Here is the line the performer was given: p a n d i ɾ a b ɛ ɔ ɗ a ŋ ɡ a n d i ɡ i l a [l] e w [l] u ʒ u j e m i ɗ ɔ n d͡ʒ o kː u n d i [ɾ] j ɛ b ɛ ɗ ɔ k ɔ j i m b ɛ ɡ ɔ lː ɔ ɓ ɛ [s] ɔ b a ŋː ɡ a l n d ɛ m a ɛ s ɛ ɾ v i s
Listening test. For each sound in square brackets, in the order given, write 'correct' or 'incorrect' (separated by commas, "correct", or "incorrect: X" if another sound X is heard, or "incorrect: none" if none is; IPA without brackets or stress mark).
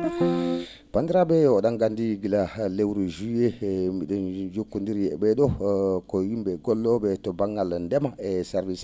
correct, incorrect: ɾ, correct, incorrect: t